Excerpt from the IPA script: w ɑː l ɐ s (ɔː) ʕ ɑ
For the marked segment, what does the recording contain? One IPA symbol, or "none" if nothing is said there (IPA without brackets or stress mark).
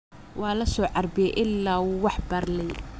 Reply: ɔː